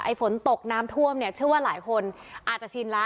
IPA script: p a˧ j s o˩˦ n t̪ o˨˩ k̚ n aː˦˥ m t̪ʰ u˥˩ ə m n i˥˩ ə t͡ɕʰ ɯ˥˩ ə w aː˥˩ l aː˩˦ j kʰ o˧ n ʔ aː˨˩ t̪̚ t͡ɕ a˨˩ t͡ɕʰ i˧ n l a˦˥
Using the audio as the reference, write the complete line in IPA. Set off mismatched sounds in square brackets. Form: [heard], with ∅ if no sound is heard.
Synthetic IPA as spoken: [ʔ] a˧ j [f] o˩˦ n t̪ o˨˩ k̚ n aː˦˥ m t̪ʰ u˥˩ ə m n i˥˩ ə t͡ɕʰ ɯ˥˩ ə w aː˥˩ l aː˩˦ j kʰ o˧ n ʔ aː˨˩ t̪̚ t͡ɕ a˨˩ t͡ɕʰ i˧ n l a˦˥